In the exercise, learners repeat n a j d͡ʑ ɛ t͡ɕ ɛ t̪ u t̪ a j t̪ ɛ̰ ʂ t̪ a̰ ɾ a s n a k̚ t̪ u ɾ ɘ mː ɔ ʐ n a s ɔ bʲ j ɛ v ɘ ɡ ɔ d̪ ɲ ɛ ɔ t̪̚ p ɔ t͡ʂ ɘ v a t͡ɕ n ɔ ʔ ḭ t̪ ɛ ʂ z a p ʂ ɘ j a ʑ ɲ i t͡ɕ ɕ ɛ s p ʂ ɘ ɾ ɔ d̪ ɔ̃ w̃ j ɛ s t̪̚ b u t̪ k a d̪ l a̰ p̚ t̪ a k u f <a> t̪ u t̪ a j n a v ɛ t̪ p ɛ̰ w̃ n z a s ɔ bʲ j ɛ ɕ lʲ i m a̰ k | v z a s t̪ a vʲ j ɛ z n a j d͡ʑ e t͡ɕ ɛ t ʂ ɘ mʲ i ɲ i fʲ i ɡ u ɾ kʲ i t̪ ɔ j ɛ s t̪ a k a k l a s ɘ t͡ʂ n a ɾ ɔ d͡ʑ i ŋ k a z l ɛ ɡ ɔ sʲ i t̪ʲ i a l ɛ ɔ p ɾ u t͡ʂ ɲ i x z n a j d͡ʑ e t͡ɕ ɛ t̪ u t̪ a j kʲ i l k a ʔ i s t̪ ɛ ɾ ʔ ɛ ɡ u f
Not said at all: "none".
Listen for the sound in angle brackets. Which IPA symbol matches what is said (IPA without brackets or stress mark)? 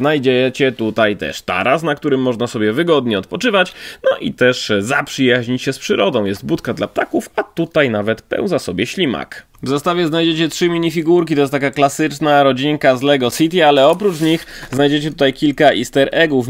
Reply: a